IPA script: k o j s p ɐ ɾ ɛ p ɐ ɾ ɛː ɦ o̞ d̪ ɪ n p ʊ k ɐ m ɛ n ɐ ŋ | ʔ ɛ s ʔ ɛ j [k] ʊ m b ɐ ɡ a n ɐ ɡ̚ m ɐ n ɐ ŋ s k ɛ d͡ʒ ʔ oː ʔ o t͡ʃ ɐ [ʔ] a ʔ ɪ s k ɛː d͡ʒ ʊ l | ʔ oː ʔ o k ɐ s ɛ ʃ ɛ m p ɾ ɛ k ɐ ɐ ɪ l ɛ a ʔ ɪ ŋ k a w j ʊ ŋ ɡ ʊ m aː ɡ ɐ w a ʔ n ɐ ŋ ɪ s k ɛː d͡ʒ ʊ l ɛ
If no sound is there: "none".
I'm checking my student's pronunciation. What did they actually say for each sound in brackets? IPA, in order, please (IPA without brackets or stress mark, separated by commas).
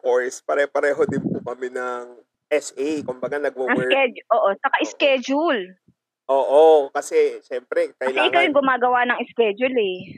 k, k